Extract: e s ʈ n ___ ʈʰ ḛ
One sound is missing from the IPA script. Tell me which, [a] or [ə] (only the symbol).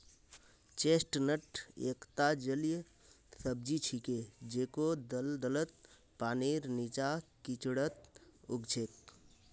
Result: ə